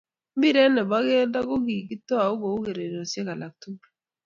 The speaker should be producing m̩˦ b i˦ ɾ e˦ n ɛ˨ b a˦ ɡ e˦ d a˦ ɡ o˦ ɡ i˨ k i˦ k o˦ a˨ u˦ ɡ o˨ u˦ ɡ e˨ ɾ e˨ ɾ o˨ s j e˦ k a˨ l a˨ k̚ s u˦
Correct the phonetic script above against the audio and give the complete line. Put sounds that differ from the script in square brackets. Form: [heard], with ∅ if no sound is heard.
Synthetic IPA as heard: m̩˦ b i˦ ɾ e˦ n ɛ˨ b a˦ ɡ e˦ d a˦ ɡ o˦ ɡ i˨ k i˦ [t] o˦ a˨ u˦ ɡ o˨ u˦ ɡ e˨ ɾ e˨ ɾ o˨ s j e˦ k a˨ l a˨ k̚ [t] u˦